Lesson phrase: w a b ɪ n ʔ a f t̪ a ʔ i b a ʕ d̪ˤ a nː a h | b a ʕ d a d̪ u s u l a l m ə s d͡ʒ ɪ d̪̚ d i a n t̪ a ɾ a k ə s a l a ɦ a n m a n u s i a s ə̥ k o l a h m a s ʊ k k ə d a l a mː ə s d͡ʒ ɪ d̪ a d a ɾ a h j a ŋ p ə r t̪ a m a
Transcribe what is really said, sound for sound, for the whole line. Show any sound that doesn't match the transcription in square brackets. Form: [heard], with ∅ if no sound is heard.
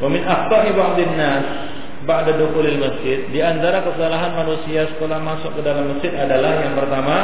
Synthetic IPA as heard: w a [m] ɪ n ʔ a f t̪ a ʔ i b a ʕ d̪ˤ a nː a [s] | b a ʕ d a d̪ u [x] u l a l m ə s d͡ʒ ɪ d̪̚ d i a n t̪ a ɾ a k ə s a l a ɦ a n m a n u s i a s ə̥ k o l a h m a s ʊ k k ə d a l a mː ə s d͡ʒ ɪ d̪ a d a [l] a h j a ŋ p ə r t̪ a m a